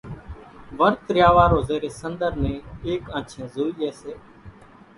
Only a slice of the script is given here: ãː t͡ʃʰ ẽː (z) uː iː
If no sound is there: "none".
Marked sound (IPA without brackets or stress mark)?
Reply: z